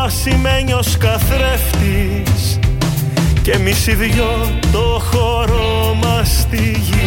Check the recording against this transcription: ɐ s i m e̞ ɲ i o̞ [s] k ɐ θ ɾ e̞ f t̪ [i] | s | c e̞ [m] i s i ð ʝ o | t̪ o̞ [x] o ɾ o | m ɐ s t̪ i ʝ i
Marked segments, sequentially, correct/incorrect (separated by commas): correct, correct, correct, correct